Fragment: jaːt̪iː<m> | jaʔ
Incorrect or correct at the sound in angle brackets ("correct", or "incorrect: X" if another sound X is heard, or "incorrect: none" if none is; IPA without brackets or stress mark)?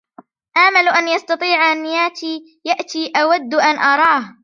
incorrect: none